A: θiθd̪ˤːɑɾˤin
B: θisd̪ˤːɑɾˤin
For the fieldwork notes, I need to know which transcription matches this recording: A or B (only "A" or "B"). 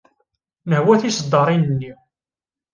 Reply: B